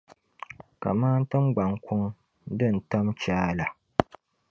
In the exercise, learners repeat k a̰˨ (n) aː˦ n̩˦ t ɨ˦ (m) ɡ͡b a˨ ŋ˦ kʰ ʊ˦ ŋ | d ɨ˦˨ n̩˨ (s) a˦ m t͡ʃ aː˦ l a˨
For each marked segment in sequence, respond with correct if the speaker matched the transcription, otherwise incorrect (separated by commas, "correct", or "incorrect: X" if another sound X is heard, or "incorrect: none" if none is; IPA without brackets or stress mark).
incorrect: m, correct, incorrect: t